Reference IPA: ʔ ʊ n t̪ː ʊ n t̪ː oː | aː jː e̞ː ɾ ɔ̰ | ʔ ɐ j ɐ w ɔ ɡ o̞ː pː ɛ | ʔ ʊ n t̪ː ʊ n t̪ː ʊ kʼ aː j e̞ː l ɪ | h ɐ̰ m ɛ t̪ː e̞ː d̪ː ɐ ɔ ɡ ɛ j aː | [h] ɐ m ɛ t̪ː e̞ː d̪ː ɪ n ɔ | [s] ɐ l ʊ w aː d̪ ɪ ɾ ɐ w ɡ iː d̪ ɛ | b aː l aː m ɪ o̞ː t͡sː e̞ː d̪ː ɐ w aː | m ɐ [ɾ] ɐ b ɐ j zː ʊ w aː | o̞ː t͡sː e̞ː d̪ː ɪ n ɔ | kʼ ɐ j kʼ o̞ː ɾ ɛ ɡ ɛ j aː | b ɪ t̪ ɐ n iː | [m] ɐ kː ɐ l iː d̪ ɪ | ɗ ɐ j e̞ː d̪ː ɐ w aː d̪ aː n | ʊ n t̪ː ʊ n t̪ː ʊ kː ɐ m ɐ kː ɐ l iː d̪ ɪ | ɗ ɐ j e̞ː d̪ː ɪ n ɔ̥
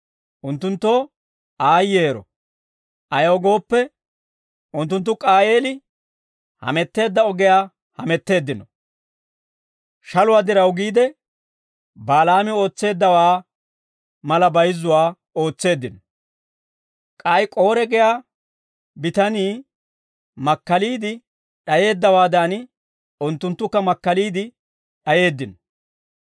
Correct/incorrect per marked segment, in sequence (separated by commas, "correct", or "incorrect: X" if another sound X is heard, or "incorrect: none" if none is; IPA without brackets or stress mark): correct, incorrect: ʃ, incorrect: l, correct